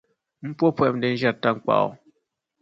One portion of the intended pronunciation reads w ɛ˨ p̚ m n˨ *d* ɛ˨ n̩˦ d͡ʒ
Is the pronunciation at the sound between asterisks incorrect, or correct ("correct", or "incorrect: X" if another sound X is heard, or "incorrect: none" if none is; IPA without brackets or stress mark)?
correct